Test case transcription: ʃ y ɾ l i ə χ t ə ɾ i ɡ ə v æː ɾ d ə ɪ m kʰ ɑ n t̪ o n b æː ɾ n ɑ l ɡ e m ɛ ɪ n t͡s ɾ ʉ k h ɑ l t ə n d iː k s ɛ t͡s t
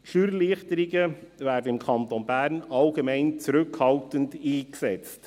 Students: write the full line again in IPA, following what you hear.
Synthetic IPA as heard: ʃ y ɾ l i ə χ t ə ɾ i ɡ ə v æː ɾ d ə ɪ m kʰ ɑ n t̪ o n b æː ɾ n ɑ l ɡ e m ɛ ɪ n t͡s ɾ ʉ k h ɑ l t ə n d iː k s ɛ t͡s t